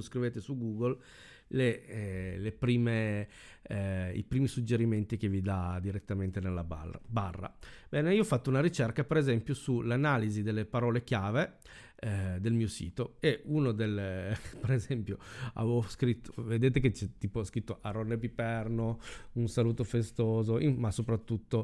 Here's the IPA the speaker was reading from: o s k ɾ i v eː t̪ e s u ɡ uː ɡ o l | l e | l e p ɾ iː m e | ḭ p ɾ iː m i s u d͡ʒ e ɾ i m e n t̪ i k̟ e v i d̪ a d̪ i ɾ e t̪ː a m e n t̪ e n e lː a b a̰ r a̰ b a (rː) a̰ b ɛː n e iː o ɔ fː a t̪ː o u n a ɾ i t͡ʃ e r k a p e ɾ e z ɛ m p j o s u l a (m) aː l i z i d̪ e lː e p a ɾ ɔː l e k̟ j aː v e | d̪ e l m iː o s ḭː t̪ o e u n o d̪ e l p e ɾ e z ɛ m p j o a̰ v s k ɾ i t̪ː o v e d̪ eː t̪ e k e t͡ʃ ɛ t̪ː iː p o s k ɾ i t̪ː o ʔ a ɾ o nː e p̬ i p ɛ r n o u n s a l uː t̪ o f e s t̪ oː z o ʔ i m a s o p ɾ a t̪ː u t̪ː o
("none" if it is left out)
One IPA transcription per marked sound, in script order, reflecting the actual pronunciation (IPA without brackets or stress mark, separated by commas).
rː, n